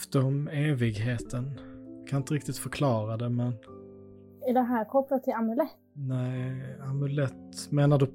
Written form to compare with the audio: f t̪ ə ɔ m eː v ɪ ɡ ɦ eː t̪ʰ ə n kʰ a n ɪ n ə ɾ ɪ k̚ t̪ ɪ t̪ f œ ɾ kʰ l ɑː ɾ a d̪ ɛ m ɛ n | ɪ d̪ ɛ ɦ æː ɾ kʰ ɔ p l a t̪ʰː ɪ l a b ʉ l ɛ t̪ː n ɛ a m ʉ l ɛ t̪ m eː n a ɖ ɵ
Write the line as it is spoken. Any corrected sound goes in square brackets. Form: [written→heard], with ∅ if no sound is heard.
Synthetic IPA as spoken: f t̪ ə ɔ m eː v ɪ ɡ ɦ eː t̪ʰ ə n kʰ a n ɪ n ə ɾ ɪ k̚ t̪ ɪ t̪ f œ ɾ kʰ l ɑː ɾ a d̪ ɛ m ɛ n | ɪ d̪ ɛ ɦ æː ɾ kʰ ɔ p l a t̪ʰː ɪ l a [b→m] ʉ l ɛ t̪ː n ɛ a m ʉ l ɛ t̪ m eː n a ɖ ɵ